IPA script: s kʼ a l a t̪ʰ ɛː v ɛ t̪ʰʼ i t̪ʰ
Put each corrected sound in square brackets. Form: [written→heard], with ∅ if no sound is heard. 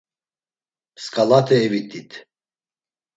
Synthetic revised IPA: s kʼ a l a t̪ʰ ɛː v [ɛ→i] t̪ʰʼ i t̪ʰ

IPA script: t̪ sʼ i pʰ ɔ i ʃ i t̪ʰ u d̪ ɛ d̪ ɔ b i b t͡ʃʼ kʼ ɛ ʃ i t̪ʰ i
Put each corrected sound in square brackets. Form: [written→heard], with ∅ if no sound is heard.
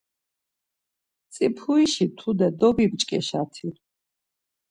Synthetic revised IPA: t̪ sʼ i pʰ [ɔ→u] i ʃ i t̪ʰ u d̪ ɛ d̪ ɔ b i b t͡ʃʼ kʼ ɛ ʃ [i→a] t̪ʰ i

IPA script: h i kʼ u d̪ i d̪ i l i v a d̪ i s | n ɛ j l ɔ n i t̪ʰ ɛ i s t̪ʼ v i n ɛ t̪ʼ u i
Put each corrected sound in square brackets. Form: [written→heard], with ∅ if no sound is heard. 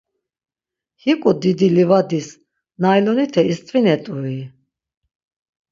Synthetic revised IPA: h i kʼ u d̪ i d̪ i l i v a d̪ i s | n [ɛ→a] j l ɔ n i t̪ʰ ɛ i s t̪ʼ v i n ɛ t̪ʼ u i

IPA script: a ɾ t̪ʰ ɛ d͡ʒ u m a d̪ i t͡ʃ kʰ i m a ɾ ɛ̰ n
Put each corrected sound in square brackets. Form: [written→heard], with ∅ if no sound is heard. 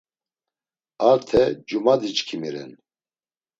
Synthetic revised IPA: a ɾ t̪ʰ ɛ d͡ʒ u m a d̪ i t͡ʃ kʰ i m [a→i] ɾ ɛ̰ n

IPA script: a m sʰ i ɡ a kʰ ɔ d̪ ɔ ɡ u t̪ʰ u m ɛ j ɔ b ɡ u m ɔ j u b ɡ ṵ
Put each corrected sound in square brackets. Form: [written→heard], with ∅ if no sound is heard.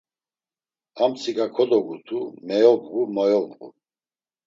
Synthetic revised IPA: a m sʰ i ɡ a kʰ ɔ d̪ ɔ ɡ u t̪ʰ u m ɛ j ɔ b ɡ u m ɔ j [u→ɔ] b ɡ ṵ

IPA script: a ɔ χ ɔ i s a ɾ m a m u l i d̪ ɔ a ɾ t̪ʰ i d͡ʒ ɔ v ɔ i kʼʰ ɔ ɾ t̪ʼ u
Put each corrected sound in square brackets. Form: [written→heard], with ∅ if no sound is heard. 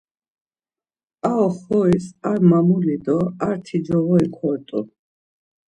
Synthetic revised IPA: a ɔ χ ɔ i s a ɾ m a m u l i d̪ ɔ a ɾ t̪ʰ i d͡ʒ ɔ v ɔ i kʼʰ ɔ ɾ t̪ʼ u

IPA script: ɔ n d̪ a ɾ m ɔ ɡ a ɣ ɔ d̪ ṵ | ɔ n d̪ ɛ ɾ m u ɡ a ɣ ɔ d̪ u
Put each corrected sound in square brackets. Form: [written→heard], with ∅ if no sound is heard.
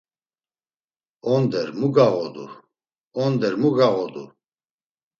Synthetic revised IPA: ɔ n d̪ [a→ɛ] ɾ m [ɔ→u] ɡ a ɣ ɔ d̪ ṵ | ɔ n d̪ ɛ ɾ m u ɡ a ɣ ɔ d̪ u

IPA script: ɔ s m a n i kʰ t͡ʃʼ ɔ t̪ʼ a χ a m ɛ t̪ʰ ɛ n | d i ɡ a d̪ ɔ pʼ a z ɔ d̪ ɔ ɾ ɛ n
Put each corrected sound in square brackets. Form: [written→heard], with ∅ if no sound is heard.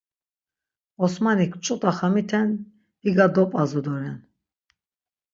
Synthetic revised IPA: ɔ s m a n i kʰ t͡ʃʼ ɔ t̪ʼ a χ a m [ɛ→i] t̪ʰ ɛ n | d i ɡ a d̪ ɔ pʼ a z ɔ d̪ ɔ ɾ ɛ n

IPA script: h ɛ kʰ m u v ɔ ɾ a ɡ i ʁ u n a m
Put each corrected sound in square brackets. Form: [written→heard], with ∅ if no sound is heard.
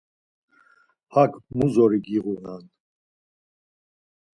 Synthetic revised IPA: h [ɛ→a] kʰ m u [v→z] ɔ ɾ [a→i] ɡ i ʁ u n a [m→n]

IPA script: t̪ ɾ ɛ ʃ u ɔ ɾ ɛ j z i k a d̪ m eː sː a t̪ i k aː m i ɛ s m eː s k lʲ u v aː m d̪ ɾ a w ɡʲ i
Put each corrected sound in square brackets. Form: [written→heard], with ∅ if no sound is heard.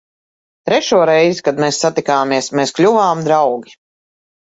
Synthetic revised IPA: t̪ ɾ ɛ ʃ u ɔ ɾ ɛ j z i k a d̪ m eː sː a t̪ i k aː m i ɛ s m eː s k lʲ u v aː m d̪ ɾ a w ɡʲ i

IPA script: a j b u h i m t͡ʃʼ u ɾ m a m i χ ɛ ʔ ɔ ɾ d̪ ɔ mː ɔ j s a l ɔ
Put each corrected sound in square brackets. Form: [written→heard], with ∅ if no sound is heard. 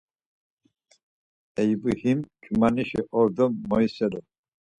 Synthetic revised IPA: [a→ɛ] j b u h i m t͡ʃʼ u [ɾ→∅] m a [m→n] i [χ→ʃ] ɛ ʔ ɔ ɾ d̪ ɔ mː ɔ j s [a→ɛ] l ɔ

